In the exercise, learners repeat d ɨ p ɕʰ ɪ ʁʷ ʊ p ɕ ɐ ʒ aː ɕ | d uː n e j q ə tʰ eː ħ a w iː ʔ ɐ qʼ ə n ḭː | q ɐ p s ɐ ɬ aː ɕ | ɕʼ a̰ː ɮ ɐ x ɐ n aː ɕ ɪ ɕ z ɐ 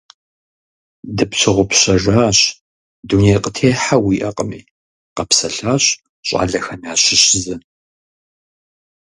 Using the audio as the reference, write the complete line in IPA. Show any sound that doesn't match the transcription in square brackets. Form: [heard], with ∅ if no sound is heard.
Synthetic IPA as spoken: d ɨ p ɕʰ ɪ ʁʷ ʊ p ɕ ɐ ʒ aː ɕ | d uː n e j q ə tʰ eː ħ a w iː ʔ ɐ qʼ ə [m] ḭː | q ɐ p s ɐ ɬ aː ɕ | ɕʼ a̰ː ɮ ɐ x ɐ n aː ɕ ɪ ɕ z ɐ